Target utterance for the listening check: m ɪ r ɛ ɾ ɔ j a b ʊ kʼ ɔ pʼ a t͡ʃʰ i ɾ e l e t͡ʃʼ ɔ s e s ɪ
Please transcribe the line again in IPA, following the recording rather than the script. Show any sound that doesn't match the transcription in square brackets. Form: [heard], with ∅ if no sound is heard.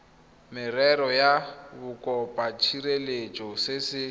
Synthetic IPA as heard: m ɪ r ɛ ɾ ɔ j a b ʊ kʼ ɔ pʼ a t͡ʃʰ i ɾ e l e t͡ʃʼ ɔ s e s ɪ